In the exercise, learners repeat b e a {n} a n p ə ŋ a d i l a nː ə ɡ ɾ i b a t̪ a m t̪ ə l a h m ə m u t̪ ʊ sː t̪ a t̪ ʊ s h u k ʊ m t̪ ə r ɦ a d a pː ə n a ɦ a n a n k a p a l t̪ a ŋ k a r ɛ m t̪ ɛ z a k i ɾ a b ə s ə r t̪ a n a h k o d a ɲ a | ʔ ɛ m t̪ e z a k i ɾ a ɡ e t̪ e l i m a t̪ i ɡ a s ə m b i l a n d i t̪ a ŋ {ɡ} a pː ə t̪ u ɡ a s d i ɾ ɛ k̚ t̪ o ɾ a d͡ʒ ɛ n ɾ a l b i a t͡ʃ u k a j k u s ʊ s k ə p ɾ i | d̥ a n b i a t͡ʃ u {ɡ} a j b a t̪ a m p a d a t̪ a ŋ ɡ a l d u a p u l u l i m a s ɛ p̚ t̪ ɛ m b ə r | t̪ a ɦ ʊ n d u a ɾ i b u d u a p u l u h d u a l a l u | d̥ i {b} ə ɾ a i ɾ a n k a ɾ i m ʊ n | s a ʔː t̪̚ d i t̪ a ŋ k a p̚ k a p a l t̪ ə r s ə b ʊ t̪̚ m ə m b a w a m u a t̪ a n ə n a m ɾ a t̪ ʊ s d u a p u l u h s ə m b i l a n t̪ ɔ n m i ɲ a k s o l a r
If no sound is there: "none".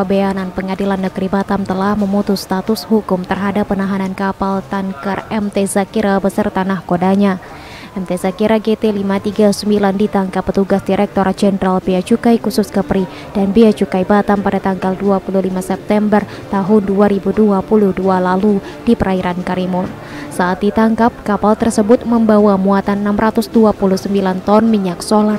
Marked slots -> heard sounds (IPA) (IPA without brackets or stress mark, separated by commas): n, k, k, p